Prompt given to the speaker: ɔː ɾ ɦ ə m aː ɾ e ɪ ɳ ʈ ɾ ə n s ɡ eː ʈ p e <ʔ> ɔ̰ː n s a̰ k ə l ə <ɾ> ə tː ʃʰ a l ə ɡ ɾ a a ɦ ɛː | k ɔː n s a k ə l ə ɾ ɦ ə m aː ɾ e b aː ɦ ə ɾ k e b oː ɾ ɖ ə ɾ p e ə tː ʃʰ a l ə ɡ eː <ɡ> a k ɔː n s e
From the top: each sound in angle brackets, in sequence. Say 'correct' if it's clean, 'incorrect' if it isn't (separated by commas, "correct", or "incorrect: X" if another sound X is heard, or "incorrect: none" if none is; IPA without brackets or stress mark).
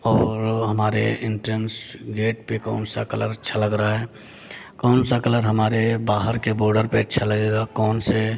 incorrect: k, correct, correct